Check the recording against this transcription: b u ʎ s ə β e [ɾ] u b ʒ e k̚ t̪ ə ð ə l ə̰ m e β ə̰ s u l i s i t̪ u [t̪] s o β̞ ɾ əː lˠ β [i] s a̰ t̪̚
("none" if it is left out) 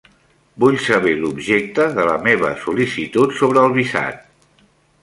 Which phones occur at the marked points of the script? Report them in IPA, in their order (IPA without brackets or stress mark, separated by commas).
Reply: l, t̪, i